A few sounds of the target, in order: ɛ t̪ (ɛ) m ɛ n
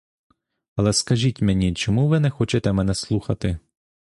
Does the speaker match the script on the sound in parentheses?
yes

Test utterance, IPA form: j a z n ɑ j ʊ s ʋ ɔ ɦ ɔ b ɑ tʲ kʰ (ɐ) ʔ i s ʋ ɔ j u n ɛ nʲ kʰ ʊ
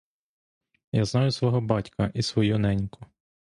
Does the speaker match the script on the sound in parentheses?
yes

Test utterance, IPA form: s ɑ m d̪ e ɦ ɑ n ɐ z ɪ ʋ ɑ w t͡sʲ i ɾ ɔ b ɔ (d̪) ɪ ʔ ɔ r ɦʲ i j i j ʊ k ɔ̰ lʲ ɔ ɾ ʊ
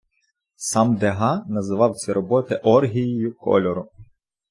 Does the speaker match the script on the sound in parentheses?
no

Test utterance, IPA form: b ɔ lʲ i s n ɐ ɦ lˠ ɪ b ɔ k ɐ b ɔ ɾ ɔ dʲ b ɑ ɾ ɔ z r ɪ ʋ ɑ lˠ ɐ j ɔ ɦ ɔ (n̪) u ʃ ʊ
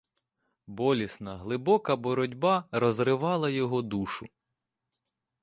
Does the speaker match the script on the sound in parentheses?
no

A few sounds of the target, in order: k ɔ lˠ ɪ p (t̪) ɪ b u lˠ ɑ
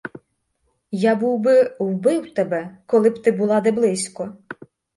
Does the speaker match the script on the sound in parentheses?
yes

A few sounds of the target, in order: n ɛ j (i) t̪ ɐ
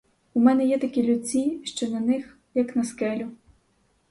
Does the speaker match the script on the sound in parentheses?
no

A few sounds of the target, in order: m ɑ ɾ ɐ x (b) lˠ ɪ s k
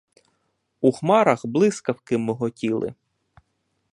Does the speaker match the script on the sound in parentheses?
yes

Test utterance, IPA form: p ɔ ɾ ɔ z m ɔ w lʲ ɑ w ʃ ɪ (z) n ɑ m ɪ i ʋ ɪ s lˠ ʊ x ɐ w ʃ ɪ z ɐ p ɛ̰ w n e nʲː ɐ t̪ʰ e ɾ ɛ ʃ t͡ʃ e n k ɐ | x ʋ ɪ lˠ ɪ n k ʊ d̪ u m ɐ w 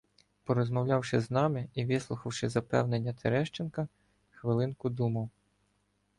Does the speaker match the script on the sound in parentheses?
yes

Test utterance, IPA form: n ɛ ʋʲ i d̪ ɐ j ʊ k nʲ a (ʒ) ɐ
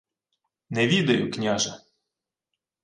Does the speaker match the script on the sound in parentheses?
yes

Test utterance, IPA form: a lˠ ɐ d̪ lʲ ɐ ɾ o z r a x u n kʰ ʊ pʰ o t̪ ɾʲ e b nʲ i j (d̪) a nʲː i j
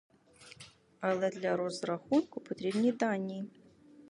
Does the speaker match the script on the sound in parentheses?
yes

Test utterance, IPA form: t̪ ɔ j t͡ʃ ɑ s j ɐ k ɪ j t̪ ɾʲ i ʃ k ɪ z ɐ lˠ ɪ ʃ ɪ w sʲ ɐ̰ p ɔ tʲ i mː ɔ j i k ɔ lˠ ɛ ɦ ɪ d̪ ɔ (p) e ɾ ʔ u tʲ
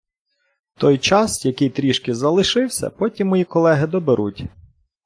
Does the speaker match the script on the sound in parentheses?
no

